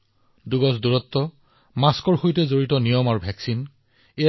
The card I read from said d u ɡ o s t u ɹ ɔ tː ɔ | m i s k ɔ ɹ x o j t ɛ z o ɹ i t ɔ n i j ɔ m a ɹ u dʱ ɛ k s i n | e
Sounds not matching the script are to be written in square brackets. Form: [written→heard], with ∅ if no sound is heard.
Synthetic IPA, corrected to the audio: d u ɡ [o→ɔ] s [t→d] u ɹ ɔ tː ɔ | m [i→a] s k ɔ ɹ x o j t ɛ z o ɹ i t ɔ n i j ɔ m a ɹ u [dʱ→bʱ] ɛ k s i n | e